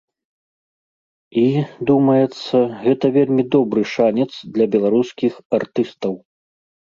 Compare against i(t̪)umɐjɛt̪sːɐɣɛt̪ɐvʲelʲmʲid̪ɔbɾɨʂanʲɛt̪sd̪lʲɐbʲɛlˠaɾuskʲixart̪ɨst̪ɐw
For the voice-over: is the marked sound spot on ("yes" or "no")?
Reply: no